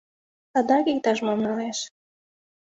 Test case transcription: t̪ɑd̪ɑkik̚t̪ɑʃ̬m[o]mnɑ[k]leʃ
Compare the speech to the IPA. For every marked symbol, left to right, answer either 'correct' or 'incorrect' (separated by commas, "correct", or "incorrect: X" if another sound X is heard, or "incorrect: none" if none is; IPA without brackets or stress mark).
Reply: correct, incorrect: none